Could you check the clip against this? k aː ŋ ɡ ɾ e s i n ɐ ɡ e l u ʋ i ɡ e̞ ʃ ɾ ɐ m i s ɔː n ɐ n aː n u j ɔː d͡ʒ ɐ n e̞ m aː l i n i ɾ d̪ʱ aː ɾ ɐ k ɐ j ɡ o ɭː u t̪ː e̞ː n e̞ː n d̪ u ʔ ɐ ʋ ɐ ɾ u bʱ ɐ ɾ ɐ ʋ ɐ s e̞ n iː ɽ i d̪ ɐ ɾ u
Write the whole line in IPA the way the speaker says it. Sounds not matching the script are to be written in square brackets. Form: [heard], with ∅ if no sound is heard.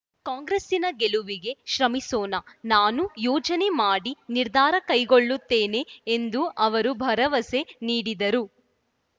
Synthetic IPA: k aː ŋ ɡ ɾ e s i n ɐ ɡ e l u ʋ i ɡ e̞ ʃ ɾ ɐ m i s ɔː n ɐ n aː n u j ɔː d͡ʒ ɐ n e̞ m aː [ɽ] i n i ɾ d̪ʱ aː ɾ ɐ k ɐ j ɡ o ɭː u t̪ː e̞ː n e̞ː n d̪ u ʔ ɐ ʋ ɐ ɾ u bʱ ɐ ɾ ɐ ʋ ɐ s e̞ n iː ɽ i d̪ ɐ ɾ u